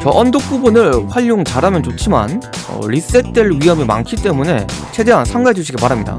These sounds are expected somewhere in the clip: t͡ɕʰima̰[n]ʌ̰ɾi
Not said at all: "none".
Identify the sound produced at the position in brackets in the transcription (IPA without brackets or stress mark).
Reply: n